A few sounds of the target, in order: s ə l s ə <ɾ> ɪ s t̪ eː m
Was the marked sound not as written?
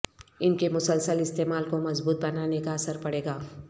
yes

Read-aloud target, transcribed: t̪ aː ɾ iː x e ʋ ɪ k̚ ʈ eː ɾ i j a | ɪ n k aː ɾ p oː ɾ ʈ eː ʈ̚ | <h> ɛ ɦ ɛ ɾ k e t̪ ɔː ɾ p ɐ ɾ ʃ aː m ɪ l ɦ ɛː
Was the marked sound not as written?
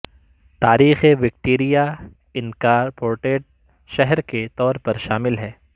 yes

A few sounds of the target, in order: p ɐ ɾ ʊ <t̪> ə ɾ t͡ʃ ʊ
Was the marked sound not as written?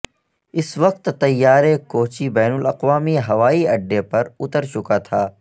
no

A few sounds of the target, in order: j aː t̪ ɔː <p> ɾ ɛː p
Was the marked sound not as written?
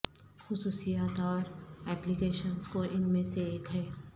yes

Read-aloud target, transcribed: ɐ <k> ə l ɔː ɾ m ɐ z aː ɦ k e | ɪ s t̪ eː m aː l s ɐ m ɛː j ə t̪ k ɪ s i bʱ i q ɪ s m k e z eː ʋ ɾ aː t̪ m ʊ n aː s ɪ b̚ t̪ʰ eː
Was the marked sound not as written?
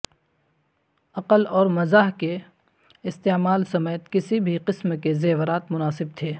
yes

